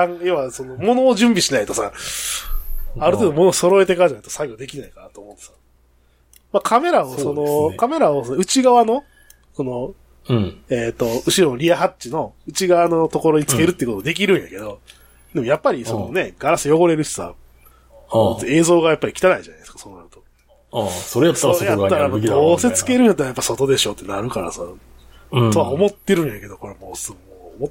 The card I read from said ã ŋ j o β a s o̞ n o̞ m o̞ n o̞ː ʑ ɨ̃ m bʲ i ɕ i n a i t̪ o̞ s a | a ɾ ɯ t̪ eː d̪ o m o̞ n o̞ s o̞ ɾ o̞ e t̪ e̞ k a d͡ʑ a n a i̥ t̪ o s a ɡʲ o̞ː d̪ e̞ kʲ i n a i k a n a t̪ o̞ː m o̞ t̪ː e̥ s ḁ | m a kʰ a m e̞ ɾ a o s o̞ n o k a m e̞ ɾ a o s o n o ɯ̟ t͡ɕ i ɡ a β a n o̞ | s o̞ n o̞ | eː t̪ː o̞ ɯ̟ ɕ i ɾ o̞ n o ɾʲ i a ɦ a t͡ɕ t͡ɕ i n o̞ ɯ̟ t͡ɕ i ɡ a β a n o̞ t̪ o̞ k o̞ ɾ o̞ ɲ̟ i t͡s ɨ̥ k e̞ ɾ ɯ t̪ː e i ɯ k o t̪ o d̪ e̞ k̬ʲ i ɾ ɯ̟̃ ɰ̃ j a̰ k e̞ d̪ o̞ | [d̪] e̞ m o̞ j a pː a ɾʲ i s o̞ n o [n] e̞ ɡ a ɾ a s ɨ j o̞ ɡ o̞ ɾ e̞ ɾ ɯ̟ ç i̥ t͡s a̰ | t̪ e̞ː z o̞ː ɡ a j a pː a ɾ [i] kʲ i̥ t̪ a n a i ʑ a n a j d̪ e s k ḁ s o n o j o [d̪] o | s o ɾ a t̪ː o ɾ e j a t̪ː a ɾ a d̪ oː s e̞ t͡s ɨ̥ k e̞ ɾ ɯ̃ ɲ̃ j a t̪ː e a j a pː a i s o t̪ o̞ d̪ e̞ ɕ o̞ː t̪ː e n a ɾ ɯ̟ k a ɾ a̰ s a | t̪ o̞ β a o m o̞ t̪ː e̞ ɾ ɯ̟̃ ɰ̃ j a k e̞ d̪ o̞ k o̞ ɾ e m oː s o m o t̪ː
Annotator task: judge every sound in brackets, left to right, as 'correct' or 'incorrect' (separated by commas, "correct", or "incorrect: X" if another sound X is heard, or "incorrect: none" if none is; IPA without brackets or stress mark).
correct, correct, correct, incorrect: t̪